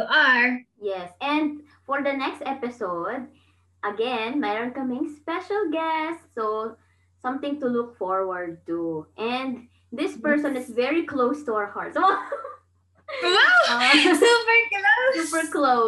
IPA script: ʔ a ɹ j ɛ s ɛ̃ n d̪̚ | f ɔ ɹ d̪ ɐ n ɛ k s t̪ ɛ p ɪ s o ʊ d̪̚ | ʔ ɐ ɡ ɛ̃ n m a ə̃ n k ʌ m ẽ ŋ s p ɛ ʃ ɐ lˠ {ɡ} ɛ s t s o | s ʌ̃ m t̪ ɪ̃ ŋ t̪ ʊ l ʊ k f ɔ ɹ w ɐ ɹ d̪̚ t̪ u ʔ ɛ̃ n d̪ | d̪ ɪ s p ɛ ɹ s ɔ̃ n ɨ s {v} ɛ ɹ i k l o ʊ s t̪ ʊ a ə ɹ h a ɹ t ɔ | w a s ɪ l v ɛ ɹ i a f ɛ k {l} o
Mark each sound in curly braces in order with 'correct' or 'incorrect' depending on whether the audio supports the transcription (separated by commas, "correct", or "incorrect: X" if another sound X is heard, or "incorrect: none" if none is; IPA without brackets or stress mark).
correct, correct, correct